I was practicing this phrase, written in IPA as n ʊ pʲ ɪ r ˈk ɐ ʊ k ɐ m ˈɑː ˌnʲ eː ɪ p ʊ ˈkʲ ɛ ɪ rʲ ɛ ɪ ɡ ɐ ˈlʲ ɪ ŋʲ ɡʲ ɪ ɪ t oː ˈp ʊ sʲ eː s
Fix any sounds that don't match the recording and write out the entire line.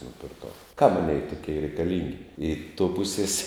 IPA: n ʊ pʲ ɪ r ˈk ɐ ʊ k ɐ m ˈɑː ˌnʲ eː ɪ t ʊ ˈkʲ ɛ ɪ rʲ ɛ ɪ k ɐ ˈlʲ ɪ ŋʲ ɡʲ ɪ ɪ t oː ˈp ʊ sʲ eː s